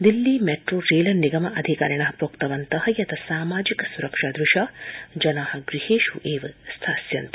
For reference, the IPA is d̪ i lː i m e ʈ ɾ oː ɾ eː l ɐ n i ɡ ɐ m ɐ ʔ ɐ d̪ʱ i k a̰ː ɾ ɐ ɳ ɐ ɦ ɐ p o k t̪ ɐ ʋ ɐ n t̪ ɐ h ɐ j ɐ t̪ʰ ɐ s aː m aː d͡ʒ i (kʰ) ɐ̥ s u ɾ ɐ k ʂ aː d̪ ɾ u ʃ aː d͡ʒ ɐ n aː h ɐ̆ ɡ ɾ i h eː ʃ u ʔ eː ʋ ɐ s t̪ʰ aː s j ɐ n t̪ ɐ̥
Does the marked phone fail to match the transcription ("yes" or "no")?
yes